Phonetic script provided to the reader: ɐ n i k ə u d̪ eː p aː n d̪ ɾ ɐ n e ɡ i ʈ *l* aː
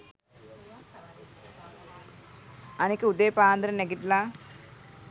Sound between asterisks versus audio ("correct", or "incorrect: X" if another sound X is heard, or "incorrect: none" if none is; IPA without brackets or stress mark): correct